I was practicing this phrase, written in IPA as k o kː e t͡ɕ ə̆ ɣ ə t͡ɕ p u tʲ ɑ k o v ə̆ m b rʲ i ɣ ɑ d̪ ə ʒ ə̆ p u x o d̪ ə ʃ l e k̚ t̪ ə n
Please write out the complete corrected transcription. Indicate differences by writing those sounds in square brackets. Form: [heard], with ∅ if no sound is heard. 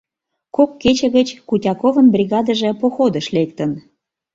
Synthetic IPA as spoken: k o kː e t͡ɕ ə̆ ɣ ə t͡ɕ [k] u tʲ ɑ k o v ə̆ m b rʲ i ɣ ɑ d̪ ə ʒ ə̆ p [o] x o d̪ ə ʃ l e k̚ t̪ ə n